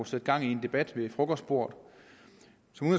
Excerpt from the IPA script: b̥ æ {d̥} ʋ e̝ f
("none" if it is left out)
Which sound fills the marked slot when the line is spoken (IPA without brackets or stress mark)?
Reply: d̥